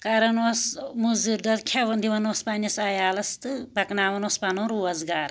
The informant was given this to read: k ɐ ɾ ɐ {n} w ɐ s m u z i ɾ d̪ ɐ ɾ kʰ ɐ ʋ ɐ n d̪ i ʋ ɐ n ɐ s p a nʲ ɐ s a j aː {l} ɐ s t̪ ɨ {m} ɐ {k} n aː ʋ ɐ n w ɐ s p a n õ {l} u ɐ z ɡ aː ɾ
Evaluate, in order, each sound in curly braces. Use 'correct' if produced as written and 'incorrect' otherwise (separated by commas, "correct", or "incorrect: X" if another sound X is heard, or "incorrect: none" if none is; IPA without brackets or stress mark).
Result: correct, correct, incorrect: b, correct, incorrect: ɾ